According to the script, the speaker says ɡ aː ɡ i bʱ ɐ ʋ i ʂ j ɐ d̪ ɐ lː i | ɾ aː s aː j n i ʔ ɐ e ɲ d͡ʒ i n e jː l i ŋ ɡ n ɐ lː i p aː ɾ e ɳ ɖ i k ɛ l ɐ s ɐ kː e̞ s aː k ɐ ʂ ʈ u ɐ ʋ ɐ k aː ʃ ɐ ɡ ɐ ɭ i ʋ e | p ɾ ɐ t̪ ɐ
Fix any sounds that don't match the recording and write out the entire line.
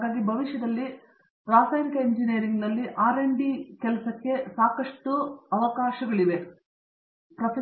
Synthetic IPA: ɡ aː ɡ i bʱ ɐ ʋ i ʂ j ɐ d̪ ɐ lː i | ɾ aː s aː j n i k ɐ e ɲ d͡ʒ i n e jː ɾ i ŋ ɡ n ɐ lː i ʔ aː ɾ e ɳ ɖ i k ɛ l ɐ s ɐ kː e̞ s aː k ɐ ʂ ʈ u ɐ ʋ ɐ k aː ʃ ɐ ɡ ɐ ɭ i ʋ e | p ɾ ɐ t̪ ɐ

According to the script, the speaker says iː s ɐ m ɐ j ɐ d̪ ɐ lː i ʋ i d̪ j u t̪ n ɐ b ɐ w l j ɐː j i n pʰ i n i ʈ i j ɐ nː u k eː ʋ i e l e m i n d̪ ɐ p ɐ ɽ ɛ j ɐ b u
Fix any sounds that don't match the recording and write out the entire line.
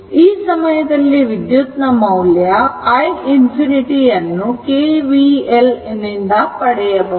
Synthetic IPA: iː s ɐ m ɐ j ɐ d̪ ɐ lː i ʋ i d̪ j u t̪ n ɐ m ɐ w l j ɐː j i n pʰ i n i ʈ i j ɐ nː u k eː ʋ i e l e n i n d̪ ɐ p ɐ ɽ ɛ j ɐ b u

